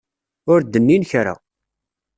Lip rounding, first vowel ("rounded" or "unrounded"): rounded